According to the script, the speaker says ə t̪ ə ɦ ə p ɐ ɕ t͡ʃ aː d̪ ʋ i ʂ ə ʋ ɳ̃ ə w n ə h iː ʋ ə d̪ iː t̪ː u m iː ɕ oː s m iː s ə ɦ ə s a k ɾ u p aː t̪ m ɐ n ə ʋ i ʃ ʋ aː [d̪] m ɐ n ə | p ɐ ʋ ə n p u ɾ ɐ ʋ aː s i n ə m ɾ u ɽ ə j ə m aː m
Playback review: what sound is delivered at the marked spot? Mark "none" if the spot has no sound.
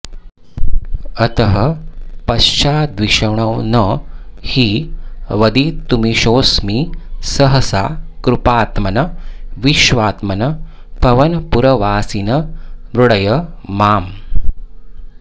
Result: t̪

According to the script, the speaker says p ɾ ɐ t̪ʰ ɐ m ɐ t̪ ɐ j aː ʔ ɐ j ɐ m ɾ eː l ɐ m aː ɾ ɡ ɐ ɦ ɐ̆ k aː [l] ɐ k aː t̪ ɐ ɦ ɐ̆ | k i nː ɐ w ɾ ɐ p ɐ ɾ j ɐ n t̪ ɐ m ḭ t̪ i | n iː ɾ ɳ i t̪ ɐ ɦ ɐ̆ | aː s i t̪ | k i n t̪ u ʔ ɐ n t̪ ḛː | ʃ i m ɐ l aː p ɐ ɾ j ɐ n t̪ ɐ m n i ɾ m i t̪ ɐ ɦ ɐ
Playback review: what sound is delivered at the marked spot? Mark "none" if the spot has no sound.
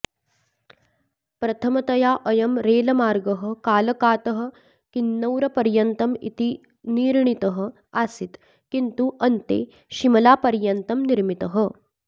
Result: l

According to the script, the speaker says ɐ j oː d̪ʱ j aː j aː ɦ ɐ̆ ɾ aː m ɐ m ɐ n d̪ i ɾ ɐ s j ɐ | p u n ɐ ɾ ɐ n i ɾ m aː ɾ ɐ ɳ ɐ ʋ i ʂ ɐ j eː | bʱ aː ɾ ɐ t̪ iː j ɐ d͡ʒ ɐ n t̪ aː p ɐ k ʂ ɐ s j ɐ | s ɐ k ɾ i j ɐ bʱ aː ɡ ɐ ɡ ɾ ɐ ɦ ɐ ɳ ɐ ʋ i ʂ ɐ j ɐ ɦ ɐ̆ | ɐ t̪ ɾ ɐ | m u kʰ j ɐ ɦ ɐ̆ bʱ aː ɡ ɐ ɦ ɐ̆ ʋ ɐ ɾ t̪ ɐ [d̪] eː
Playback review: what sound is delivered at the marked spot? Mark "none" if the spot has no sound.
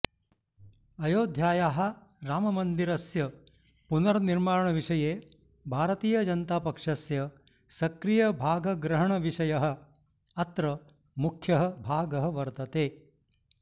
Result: t̪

